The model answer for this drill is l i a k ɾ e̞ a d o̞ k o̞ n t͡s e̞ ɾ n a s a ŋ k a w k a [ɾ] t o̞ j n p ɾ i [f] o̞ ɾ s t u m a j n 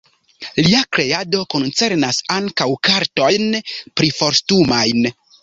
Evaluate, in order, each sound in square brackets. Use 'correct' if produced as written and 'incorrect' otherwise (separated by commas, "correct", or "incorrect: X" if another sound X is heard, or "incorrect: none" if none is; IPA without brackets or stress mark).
correct, correct